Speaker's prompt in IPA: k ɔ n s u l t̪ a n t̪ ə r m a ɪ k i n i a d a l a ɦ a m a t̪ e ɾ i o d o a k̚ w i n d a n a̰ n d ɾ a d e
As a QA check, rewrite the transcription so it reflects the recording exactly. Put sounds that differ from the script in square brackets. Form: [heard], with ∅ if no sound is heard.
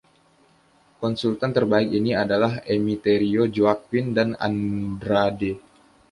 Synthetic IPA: k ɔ n s u l t̪ a n t̪ ə r [b] a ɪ k i n i a d a l a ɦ [e] m [i] t̪ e ɾ i o [d͡ʒ] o a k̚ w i n d a n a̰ n d ɾ a d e

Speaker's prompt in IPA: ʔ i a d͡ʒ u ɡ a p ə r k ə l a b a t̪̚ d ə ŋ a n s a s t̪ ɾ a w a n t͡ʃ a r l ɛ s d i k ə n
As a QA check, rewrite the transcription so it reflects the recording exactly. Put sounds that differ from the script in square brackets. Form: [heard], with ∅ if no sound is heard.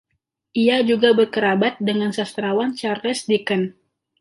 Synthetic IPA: ʔ i a d͡ʒ u ɡ a [b] ə r k ə [ɾ] a b a t̪̚ d ə ŋ a n s a s t̪ ɾ a w a n t͡ʃ a r l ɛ s d i k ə n

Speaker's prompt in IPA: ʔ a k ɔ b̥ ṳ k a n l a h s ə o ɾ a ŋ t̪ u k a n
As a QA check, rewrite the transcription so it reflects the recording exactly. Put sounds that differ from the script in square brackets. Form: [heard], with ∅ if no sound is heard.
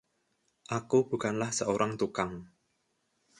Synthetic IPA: ʔ a k [u] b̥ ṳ k a n l a h s ə o ɾ a ŋ t̪ u k a [ŋ]

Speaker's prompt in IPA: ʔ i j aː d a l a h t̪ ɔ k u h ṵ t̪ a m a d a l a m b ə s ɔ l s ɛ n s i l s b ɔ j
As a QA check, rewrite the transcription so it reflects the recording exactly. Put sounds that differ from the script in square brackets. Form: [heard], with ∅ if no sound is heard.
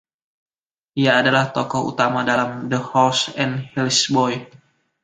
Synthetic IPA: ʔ i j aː d a l a h t̪ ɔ k [ɔ] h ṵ t̪ a m a d a l a m [d] ə [h] ɔ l s ɛ n [h] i l s b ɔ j

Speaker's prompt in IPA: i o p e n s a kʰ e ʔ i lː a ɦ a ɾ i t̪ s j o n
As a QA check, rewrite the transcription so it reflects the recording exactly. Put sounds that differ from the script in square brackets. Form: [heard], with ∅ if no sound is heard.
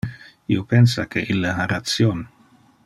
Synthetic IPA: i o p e n s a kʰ e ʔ i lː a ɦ a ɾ [a] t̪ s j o n

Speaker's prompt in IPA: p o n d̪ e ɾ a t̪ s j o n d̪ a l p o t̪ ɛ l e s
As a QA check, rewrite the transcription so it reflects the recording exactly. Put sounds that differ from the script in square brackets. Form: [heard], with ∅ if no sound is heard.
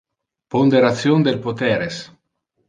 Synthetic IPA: p o n d̪ e ɾ a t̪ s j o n d̪ [e] l p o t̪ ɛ [ɾ] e s

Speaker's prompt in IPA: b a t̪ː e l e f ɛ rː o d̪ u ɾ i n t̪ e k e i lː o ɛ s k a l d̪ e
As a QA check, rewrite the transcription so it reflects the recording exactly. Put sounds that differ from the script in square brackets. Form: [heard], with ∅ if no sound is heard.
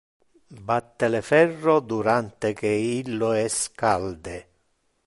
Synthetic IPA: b a t̪ː e l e f ɛ rː o d̪ u ɾ [a] n t̪ e k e i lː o ɛ s k a l d̪ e

